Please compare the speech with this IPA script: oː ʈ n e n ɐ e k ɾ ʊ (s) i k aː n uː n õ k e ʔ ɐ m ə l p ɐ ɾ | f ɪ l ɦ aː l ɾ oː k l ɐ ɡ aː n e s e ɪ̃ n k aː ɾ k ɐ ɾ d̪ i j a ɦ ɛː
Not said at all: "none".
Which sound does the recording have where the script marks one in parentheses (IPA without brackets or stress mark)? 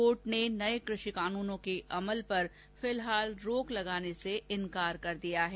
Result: ʃ